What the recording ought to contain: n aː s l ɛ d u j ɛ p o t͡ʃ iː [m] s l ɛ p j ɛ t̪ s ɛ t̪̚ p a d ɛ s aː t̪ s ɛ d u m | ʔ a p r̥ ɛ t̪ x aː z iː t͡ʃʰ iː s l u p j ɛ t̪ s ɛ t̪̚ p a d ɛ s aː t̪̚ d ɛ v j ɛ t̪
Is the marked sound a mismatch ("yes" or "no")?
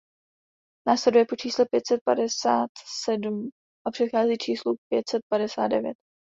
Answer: yes